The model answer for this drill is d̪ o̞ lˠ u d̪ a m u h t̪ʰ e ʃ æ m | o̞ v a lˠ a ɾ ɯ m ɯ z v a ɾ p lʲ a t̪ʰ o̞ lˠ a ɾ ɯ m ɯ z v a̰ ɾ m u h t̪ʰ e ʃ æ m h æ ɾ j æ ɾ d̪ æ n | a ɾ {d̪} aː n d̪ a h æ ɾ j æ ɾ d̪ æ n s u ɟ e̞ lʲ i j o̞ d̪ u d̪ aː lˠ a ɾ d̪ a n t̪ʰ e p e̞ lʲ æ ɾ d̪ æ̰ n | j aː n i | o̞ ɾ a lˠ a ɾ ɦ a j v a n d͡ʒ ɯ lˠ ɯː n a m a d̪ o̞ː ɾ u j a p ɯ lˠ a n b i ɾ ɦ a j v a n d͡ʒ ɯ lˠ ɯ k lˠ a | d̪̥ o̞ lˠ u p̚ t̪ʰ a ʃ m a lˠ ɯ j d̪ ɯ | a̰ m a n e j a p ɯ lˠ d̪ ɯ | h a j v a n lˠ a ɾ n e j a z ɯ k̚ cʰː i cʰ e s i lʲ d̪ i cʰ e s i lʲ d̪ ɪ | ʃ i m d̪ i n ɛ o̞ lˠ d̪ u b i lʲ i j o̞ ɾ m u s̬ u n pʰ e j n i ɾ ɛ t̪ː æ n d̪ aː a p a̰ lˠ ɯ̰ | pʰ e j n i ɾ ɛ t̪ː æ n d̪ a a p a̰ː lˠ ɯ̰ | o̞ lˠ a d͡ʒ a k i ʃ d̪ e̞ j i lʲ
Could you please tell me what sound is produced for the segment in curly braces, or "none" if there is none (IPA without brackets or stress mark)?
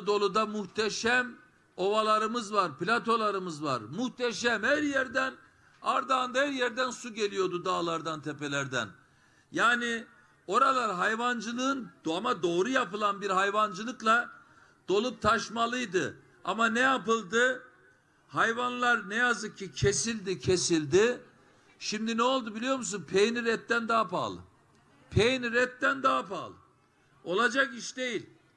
d̪